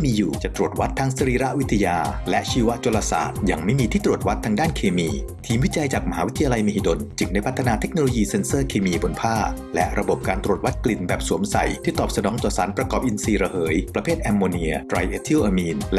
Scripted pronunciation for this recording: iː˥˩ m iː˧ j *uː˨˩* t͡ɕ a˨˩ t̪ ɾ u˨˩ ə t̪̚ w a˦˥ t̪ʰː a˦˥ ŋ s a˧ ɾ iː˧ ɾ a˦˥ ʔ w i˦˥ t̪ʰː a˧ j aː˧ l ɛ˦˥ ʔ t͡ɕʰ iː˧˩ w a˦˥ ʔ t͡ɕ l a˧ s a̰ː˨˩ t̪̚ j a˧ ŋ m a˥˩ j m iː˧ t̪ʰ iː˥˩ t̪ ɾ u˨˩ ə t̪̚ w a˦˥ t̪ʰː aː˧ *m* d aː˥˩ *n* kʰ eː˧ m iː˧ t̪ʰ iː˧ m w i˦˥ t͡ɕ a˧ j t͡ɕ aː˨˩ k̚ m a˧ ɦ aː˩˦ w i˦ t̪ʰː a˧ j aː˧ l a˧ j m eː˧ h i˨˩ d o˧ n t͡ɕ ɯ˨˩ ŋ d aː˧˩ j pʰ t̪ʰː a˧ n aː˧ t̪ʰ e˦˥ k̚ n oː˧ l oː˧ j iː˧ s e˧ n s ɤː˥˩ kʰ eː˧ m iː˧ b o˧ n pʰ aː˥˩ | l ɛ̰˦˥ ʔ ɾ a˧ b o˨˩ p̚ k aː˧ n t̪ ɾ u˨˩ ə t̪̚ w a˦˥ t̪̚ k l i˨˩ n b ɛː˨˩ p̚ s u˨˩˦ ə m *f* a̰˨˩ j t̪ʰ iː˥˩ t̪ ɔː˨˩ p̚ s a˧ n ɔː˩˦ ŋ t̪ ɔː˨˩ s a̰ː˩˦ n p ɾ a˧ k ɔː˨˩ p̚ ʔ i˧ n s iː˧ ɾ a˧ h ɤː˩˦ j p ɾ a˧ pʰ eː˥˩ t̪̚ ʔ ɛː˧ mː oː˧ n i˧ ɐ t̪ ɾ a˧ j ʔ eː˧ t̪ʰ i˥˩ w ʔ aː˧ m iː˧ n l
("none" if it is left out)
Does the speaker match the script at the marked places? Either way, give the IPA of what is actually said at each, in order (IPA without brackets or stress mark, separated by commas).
uː˨˩, ŋ, n, s